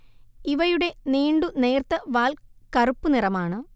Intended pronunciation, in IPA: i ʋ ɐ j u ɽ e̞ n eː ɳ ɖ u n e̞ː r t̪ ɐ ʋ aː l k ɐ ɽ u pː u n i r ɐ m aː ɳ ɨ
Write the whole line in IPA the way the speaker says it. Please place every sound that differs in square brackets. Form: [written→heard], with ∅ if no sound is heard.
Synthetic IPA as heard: i ʋ ɐ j u ɽ e̞ n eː ɳ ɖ u n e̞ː r t̪ ɐ ʋ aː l k ɐ [ɽ→r] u pː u n i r ɐ m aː ɳ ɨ